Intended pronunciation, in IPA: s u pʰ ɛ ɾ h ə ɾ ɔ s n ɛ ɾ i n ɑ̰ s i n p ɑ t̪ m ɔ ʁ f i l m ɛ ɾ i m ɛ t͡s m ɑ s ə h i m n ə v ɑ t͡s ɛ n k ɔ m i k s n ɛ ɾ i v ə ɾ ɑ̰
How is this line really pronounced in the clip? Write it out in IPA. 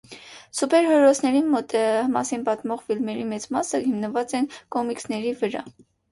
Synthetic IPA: s u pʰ ɛ ɾ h ə ɾ ɔ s n ɛ ɾ i m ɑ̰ s i n p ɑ t̪ m ɔ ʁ f i l m ɛ ɾ i m ɛ t͡s m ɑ s ə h i m n ə v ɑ t͡s ɛ n k ɔ m i k s n ɛ ɾ i v ə ɾ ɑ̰